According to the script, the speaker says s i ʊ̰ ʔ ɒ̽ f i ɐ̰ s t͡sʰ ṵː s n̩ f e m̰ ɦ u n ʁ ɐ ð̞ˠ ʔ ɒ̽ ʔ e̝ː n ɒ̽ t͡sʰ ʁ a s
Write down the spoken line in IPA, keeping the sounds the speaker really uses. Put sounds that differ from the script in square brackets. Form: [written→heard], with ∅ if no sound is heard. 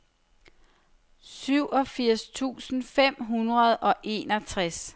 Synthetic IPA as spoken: s [i→y] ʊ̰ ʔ ɒ̽ f i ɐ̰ s t͡sʰ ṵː s n̩ f e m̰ ɦ u n ʁ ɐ ð̞ˠ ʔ ɒ̽ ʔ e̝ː n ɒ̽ t͡sʰ ʁ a s